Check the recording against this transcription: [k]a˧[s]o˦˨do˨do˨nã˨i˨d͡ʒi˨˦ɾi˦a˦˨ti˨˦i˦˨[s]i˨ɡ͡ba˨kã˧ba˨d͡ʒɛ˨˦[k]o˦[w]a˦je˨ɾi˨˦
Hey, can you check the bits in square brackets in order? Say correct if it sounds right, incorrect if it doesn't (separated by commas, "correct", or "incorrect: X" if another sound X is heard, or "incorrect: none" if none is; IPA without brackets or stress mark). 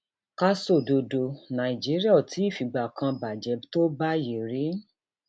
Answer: correct, correct, incorrect: f, incorrect: t, incorrect: b